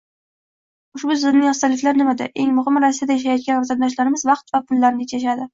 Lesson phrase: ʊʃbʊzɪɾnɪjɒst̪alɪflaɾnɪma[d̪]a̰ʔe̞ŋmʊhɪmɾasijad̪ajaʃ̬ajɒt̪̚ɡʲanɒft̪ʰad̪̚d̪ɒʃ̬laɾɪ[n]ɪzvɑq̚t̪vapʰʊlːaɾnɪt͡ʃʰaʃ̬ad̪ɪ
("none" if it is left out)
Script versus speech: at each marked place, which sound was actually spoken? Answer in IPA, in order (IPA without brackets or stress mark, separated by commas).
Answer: d̪, m